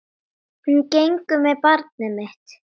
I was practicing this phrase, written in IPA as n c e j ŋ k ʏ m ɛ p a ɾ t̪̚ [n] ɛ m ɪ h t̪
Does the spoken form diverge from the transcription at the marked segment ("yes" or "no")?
no